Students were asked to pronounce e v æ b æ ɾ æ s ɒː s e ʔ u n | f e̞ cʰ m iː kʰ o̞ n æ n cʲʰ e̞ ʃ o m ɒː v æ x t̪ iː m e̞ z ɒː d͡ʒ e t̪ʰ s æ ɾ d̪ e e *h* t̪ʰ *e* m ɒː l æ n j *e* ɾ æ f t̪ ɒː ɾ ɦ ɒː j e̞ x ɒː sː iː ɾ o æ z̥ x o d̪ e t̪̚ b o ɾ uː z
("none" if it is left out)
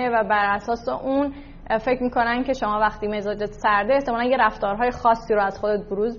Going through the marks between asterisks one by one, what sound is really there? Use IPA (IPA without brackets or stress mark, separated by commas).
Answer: h, e, e